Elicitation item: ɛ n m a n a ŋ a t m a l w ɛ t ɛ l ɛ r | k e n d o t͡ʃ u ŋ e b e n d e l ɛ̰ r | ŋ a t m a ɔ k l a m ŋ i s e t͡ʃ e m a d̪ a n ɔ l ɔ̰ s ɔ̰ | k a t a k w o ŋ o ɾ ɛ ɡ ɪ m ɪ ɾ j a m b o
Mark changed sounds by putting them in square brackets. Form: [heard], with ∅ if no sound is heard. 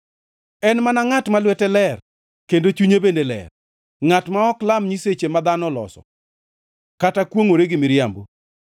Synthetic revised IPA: ɛ n m a n a ŋ a t m a l w ɛ t ɛ l ɛ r | k e n d o t͡ʃ u [ɲ] e b e n d e l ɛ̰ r | ŋ a t m a ɔ k l a m [ɲ] i s e t͡ʃ e m a d̪ a n ɔ l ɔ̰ s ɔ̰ | k a t a k w o ŋ o ɾ [e] ɡ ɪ m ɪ ɾ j a m b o